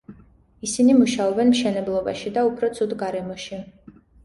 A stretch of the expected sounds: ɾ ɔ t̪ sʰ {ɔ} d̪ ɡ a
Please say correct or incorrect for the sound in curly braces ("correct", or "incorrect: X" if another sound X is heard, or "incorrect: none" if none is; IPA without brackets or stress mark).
incorrect: u